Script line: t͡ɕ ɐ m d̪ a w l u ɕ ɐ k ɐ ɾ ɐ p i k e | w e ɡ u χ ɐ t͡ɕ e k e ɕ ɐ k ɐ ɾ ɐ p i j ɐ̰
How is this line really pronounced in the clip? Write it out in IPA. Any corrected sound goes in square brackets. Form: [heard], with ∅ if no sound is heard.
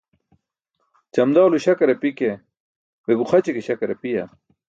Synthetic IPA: t͡ɕ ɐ m d̪ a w l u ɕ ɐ k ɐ ɾ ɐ p i k e | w e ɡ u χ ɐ t͡ɕ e k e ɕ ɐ k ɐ ɾ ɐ p i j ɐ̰